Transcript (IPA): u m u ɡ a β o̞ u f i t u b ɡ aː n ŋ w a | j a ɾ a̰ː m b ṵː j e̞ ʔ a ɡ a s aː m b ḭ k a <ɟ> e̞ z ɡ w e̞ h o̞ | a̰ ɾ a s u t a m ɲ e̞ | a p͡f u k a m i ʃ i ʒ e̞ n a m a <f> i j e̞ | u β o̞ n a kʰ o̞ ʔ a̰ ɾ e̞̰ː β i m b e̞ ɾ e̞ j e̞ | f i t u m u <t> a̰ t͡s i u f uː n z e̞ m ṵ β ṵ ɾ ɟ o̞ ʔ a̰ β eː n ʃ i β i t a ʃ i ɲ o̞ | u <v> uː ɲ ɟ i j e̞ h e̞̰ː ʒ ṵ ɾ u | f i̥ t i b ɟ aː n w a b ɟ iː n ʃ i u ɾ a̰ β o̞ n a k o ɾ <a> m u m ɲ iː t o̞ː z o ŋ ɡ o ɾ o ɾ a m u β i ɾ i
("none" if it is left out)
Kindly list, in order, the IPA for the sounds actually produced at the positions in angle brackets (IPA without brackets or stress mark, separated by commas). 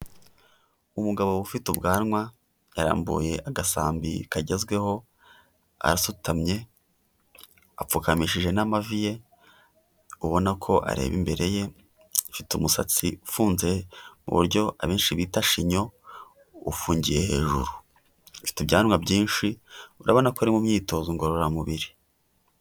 ɟ, v, s, f, i